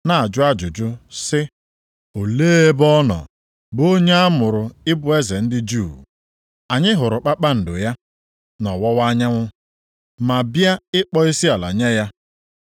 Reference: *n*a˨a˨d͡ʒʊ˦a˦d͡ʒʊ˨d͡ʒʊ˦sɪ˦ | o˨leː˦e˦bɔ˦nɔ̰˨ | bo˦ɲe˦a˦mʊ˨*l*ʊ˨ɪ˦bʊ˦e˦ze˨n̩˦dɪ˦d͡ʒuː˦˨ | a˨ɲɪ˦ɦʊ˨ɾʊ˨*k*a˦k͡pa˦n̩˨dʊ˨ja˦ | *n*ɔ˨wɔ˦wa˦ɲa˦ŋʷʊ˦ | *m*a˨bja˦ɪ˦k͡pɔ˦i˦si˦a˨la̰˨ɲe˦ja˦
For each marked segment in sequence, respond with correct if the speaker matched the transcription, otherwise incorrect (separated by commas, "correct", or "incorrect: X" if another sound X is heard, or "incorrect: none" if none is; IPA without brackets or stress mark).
correct, incorrect: ɾ, incorrect: k͡p, correct, correct